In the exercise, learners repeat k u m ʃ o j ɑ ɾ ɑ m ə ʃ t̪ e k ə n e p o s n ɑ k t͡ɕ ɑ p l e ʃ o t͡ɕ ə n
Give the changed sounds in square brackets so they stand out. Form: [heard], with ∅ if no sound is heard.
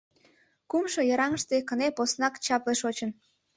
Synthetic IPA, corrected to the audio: k u m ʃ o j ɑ ɾ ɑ [ŋ] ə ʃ t̪ e k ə n e p o s n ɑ k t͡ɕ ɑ p l e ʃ o t͡ɕ ə n

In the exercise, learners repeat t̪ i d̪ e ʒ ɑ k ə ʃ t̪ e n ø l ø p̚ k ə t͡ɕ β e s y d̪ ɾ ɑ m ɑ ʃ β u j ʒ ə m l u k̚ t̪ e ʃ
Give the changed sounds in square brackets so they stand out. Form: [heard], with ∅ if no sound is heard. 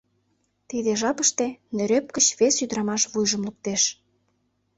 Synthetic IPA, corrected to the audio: t̪ i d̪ e ʒ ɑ [p] ə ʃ t̪ e n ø [ɾ] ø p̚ k ə t͡ɕ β e s y d̪ ɾ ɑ m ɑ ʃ β u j ʒ ə m l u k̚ t̪ e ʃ

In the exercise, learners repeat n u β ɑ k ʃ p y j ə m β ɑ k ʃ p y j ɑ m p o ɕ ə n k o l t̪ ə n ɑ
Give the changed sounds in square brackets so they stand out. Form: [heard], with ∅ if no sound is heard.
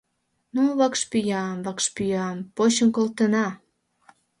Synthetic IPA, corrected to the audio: n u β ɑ k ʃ p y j [ɑ] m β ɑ k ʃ p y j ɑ m p o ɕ ə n k o l t̪ ə n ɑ

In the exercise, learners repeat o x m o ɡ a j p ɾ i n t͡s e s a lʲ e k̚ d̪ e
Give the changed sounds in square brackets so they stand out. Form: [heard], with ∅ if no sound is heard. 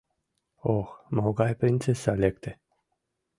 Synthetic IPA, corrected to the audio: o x m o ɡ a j p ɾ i n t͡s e s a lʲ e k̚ [t̪] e

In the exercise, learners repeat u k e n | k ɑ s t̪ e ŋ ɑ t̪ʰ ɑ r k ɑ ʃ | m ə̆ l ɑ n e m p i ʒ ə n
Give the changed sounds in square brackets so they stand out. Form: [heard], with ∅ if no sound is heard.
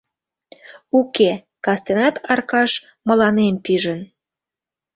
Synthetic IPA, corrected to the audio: u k e [∅] | k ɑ s t̪ e [n] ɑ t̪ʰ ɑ r k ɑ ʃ | m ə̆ l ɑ n e m p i ʒ ə n

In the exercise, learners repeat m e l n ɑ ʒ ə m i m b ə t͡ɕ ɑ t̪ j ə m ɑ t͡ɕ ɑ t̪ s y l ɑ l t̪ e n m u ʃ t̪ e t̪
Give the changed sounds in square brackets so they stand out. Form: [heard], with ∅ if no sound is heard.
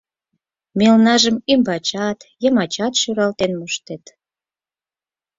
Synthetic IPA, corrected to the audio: m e l n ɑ ʒ ə m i m b [ɑ] t͡ɕ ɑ t̪ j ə m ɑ t͡ɕ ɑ t̪ [ʃ] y [ɾ] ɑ l t̪ e n m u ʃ t̪ e t̪

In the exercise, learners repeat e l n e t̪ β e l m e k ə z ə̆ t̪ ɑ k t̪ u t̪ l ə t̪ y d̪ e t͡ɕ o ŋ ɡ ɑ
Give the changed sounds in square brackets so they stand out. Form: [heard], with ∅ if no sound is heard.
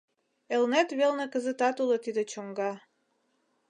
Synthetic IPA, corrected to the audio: e l n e t̪ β e l [n] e k ə z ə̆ t̪ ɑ [∅] t̪ u [∅] l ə t̪ [i] d̪ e t͡ɕ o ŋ ɡ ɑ

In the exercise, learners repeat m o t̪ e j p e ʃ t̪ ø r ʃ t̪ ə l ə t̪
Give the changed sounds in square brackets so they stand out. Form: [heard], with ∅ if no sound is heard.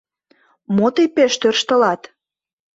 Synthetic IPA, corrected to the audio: m o t̪ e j p e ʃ t̪ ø r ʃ t̪ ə l [ɑ] t̪

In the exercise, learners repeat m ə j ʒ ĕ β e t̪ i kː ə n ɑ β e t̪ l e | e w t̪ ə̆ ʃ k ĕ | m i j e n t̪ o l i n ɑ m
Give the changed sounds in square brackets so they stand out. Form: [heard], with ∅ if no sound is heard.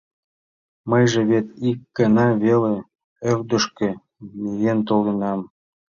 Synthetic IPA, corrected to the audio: m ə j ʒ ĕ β e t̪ i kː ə n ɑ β e [∅] l e | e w [d̪] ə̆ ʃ k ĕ | m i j e n t̪ o l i n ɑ m

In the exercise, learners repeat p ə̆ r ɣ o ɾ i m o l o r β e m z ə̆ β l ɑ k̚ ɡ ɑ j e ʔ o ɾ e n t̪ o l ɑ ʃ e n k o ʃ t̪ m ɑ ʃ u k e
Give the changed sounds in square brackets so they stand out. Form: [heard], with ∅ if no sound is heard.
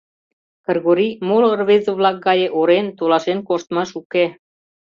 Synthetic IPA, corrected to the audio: [k] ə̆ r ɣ o ɾ i m o l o r β e [∅] z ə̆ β l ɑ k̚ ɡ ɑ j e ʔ o ɾ e n t̪ o l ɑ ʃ e n k o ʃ t̪ m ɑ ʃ u k e

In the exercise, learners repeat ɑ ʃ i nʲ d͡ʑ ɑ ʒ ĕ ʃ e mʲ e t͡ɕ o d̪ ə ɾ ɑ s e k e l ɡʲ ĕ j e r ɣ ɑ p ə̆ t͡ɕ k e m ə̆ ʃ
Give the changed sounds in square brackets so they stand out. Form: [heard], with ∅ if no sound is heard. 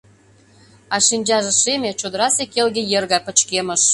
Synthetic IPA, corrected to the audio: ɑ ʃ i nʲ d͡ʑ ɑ ʒ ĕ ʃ e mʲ e t͡ɕ o d̪ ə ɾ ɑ s e k e l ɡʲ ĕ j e r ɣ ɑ p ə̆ t͡ɕ k e m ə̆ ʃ

